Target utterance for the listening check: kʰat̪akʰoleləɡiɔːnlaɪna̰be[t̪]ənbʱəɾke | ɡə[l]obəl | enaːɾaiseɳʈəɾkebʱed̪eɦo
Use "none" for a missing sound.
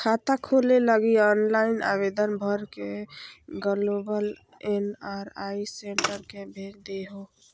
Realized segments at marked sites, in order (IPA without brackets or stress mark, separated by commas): d̪, l